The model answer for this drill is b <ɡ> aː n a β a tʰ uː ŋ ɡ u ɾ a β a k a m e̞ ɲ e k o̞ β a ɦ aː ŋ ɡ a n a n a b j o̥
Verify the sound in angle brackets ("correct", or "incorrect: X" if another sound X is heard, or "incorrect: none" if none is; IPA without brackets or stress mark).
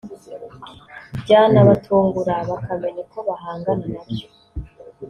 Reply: incorrect: ɟ